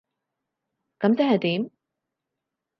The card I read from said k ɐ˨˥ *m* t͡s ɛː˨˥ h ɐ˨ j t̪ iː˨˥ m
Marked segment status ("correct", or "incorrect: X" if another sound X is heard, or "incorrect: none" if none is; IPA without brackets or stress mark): correct